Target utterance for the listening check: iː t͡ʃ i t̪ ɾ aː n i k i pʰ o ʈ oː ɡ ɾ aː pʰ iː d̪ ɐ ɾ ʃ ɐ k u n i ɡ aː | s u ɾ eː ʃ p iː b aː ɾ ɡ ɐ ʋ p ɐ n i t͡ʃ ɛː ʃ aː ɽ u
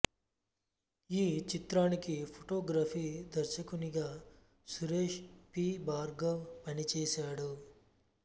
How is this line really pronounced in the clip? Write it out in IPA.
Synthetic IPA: iː t͡ʃ i t̪ ɾ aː n i k i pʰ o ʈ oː ɡ ɾ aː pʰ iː d̪ ɐ ɾ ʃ ɐ k u n i ɡ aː | s u ɾ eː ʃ p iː b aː ɾ ɡ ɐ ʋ p ɐ n i t͡ʃ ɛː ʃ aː ɽ u